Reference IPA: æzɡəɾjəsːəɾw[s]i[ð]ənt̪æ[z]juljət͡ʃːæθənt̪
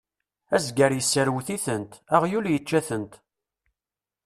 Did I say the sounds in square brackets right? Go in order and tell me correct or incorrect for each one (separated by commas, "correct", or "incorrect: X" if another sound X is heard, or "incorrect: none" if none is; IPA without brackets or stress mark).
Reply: incorrect: θ, incorrect: θ, incorrect: ʁ